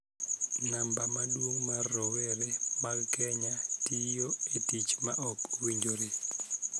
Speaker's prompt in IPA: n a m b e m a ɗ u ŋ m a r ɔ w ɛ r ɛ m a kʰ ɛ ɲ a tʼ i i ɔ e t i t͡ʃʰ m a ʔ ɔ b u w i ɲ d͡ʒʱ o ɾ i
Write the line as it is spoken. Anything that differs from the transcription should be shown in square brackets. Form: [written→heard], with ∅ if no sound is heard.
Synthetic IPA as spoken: n a m b [e→a] m a ɗ u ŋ m a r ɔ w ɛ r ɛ m a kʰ ɛ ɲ a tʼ i [i→j] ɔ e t i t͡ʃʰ m a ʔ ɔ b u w i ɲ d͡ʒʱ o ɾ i